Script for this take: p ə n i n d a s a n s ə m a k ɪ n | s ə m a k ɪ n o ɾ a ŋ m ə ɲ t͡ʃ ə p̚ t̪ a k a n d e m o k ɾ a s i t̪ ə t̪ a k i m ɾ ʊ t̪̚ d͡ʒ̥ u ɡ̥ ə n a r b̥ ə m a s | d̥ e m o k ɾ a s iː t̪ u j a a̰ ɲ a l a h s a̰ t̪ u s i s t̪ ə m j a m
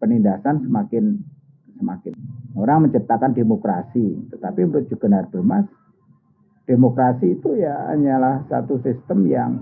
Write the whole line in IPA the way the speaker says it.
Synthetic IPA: p ə n i n d a s a n s ə m a k ɪ n | s ə m a k ɪ n o ɾ a ŋ m ə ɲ t͡ʃ ə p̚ t̪ a k a n d e m o k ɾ a s i t̪ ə t̪ a p i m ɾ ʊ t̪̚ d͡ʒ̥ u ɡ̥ ə n a r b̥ ə m a s | d̥ e m o k ɾ a s iː t̪ u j a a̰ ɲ a l a h s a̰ t̪ u s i s t̪ ə m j a ŋ